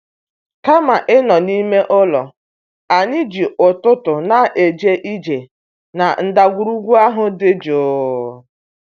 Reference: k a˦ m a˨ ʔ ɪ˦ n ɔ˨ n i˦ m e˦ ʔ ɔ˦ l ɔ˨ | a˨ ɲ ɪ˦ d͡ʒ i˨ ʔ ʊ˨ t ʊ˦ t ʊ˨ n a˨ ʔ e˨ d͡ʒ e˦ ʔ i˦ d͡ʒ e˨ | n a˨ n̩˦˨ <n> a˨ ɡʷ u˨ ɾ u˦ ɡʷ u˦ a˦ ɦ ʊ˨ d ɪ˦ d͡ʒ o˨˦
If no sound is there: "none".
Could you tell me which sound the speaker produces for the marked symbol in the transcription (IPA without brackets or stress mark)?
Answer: d